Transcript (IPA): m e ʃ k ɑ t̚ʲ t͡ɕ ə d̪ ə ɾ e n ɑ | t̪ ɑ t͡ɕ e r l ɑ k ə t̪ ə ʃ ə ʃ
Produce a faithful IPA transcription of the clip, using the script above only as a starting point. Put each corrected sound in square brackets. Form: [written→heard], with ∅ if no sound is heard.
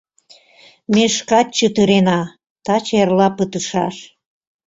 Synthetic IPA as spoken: m e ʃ k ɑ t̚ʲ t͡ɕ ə [d̪→t̪] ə ɾ e n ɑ | t̪ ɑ t͡ɕ e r l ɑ [k→p] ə t̪ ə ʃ [ə→ɑ] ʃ